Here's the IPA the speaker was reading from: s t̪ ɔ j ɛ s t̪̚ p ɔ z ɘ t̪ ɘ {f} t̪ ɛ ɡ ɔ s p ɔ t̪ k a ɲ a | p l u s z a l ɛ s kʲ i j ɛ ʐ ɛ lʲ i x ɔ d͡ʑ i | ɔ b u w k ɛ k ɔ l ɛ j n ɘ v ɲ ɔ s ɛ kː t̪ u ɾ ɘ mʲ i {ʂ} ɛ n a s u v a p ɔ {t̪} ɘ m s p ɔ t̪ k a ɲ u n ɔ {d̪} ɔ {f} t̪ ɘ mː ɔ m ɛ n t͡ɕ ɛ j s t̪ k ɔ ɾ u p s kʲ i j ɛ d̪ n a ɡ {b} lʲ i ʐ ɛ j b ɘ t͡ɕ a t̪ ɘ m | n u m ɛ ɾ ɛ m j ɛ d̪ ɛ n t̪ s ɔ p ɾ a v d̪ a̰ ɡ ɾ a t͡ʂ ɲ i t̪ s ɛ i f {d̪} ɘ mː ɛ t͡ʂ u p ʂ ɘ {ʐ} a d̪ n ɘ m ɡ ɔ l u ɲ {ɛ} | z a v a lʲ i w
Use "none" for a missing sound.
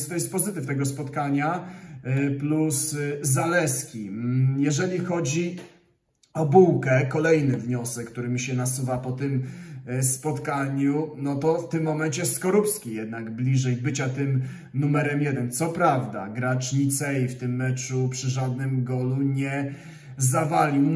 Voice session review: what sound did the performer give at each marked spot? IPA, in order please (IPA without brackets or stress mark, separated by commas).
f, ɕ, t̪, t̪, f, b, t̪, ʐ, ɛ